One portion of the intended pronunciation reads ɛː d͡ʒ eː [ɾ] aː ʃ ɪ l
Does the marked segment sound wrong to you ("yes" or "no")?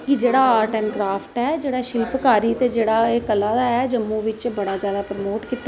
yes